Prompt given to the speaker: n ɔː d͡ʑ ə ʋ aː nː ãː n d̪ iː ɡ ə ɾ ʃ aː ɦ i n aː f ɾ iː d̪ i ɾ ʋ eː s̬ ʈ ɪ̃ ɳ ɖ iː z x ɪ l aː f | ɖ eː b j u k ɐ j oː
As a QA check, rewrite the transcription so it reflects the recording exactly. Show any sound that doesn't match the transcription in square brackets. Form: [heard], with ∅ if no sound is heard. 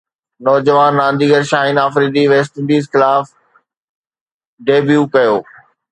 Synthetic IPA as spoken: n ɔː d͡ʑ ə ʋ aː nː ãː n d̪ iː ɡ ə ɾ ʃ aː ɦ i n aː f ɾ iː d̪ i [∅] ʋ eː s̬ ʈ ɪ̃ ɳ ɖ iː z x ɪ l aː f | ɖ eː b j u k ɐ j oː